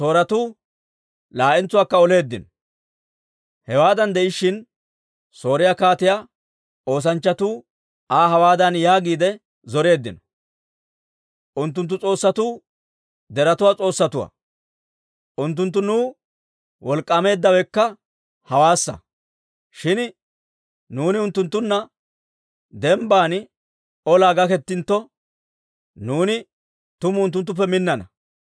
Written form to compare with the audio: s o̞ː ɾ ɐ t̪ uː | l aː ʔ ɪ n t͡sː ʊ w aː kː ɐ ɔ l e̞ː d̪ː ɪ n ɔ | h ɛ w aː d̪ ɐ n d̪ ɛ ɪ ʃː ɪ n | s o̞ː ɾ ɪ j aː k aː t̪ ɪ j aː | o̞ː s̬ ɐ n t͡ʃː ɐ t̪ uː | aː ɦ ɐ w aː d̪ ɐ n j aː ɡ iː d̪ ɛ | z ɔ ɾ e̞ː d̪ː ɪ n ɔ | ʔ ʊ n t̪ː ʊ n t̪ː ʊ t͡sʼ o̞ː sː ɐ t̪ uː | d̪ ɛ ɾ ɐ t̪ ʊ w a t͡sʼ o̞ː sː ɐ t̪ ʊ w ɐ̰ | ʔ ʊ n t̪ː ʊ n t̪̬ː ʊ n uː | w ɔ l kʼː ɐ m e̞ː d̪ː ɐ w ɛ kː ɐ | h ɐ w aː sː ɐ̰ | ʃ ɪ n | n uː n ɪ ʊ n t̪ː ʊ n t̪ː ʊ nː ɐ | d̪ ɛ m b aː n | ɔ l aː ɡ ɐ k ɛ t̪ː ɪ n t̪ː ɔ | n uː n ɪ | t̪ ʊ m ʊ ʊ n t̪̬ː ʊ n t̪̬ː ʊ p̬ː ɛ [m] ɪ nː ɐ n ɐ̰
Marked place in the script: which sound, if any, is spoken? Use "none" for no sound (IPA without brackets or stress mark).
m